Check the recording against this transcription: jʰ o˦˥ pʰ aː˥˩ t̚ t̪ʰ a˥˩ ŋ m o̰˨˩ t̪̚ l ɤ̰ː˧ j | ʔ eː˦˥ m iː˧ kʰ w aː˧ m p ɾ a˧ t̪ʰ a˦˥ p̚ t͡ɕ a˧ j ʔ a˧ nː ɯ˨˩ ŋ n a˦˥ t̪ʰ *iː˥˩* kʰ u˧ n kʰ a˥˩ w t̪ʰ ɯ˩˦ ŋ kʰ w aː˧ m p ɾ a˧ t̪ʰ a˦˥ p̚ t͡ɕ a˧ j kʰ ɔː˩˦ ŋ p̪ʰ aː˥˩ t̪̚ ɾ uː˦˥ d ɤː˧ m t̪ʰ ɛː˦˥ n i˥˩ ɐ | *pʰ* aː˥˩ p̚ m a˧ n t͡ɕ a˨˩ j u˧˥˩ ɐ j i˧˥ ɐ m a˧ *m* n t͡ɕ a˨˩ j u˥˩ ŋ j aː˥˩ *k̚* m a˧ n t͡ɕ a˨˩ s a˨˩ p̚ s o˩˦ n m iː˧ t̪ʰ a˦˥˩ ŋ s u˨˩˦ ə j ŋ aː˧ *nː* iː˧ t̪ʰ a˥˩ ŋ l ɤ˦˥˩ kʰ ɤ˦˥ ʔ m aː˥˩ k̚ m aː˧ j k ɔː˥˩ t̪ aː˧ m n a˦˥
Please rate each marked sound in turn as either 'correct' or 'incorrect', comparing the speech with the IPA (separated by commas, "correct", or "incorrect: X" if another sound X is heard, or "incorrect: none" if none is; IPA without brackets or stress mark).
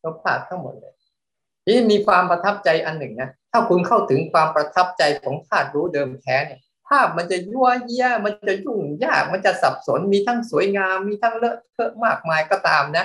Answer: incorrect: aː˥˩, correct, incorrect: n, correct, incorrect: mː